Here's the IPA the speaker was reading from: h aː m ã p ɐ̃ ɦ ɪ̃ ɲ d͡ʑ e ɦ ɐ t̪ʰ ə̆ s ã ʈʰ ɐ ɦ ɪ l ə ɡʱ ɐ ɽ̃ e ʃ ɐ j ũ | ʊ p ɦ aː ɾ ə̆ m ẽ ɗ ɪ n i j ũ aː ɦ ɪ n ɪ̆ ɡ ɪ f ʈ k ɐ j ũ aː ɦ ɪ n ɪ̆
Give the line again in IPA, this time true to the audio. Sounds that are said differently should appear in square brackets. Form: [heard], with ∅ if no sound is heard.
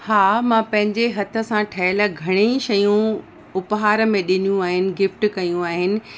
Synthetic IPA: h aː m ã p ɐ̃ ɦ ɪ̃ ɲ d͡ʑ e ɦ ɐ t̪ʰ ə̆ s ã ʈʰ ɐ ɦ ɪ l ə ɡʱ ɐ ɽ̃ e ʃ ɐ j ũ | ʊ p ɦ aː ɾ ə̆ m ẽ ɗ ɪ n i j ũ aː ɦ ɪ n ɪ̆ ɡ ɪ f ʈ k ɐ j ũ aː ɦ ɪ n ɪ̆